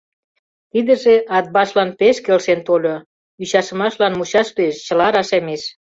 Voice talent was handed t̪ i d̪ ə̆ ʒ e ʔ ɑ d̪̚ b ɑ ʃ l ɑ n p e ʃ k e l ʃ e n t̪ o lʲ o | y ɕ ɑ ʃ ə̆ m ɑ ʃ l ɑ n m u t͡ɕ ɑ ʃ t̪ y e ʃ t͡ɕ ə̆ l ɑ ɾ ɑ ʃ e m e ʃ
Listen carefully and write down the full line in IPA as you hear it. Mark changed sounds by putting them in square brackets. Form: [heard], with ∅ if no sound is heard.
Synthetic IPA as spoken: t̪ i d̪ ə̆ ʒ e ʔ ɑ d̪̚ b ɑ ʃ l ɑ n p e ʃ k e l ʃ e n t̪ o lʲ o | y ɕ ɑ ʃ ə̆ m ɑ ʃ l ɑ n m u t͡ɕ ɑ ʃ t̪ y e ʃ t͡ɕ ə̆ l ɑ ɾ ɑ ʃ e m e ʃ